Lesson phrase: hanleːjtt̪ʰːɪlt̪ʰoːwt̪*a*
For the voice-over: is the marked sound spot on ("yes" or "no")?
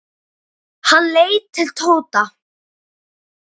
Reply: yes